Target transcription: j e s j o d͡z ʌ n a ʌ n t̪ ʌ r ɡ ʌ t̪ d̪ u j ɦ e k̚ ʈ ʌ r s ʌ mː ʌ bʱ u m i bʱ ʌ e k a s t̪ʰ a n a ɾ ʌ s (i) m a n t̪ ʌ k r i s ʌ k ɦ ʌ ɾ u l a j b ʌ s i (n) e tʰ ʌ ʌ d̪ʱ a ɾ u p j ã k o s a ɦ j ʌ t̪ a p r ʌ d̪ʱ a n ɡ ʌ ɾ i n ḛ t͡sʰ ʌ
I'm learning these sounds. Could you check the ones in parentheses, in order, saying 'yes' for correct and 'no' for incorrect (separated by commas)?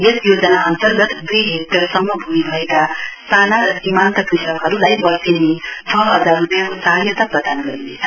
yes, yes